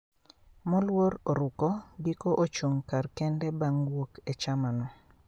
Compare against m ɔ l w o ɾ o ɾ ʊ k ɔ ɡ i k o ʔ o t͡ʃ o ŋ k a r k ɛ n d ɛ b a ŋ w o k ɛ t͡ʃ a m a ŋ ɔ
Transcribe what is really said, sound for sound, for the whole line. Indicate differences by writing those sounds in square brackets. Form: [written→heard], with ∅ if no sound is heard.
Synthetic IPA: m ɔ l w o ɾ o ɾ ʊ k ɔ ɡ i k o ʔ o t͡ʃ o ŋ k a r k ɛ n d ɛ b a ŋ w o k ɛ t͡ʃ a m a [ŋ→n] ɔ